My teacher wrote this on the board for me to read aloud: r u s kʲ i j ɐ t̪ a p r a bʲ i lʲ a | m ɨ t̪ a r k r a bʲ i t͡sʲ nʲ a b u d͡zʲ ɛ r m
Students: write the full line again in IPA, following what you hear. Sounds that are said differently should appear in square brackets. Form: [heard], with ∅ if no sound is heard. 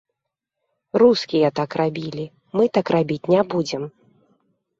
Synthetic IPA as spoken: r u s kʲ i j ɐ t̪ a [k] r a bʲ i lʲ [i] | m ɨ t̪ a [∅] k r a bʲ i t͡sʲ nʲ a b u d͡zʲ ɛ [∅] m